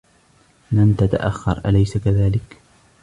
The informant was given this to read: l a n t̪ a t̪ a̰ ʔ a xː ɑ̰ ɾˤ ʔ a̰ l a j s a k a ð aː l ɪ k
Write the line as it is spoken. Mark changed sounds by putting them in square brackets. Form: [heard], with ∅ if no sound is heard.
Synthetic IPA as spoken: l a [m] t̪ a t̪ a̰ ʔ a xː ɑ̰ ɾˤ ʔ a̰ l a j s a k a ð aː l ɪ k